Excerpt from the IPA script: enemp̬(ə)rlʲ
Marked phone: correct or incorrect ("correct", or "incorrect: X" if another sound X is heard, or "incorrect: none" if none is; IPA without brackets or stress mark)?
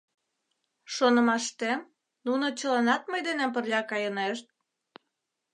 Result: correct